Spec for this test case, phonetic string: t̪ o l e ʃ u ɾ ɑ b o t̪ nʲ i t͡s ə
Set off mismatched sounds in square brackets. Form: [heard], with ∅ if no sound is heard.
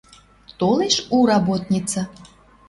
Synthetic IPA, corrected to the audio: t̪ o l e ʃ u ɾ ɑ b o t̪ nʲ i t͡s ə